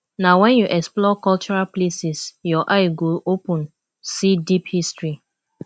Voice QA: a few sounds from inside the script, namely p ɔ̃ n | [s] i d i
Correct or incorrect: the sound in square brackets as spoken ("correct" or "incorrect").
correct